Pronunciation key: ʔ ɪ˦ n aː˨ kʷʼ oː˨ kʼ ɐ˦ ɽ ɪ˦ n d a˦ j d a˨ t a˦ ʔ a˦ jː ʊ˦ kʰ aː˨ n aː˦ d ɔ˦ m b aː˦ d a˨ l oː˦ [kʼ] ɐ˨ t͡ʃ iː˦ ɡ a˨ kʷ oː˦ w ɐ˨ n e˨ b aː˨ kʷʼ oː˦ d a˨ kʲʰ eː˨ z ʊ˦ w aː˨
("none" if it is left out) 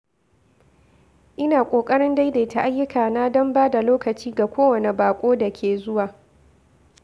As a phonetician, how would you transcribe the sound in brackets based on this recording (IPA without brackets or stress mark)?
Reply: k